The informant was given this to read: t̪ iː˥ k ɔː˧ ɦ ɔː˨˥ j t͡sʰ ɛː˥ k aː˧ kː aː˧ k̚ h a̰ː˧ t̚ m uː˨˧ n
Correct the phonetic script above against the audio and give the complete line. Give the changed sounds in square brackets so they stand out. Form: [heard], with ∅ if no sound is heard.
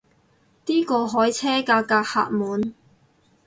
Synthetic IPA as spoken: t̪ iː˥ k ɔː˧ ɦ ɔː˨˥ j t͡sʰ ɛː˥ k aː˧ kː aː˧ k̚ h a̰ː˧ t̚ m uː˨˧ n